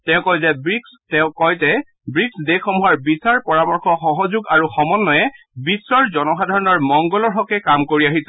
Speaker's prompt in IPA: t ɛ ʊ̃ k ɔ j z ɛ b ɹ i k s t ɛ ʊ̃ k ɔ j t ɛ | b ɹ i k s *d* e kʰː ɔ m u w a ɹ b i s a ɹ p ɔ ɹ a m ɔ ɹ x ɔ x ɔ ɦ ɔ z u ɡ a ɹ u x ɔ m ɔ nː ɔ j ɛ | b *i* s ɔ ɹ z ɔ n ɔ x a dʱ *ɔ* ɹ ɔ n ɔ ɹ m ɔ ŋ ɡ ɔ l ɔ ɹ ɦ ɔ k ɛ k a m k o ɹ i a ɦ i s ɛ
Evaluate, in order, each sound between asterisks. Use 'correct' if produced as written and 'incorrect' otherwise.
correct, correct, correct

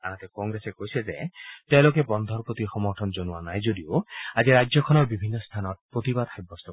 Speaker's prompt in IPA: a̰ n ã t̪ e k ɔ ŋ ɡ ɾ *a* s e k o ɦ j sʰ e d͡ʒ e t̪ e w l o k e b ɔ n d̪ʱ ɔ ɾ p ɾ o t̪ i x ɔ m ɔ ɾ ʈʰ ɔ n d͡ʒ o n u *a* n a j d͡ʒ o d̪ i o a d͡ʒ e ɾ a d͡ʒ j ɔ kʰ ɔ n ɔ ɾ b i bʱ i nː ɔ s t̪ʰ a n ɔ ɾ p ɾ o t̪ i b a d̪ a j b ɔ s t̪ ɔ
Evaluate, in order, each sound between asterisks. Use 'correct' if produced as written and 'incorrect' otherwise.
incorrect: e, correct

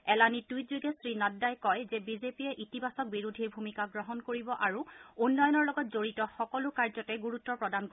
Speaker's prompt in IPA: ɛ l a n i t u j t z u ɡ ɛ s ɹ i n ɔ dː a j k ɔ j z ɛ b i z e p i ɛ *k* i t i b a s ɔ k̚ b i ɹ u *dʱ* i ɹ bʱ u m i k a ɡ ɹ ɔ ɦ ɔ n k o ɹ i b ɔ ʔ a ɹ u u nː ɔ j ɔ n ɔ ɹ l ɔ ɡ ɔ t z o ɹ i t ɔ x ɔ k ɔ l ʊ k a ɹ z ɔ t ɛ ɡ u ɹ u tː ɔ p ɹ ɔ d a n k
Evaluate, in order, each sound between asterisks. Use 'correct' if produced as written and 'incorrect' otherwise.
incorrect: ʔ, correct

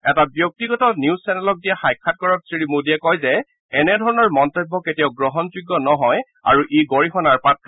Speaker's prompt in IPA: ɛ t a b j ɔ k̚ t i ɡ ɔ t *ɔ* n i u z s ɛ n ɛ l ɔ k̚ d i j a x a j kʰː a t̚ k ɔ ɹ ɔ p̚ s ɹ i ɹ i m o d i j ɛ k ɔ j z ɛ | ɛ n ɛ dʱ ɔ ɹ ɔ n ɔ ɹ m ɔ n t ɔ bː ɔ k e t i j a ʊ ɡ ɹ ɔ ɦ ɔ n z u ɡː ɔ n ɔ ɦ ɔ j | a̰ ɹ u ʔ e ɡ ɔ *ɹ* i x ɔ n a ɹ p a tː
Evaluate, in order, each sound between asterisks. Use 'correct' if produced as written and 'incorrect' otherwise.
correct, correct

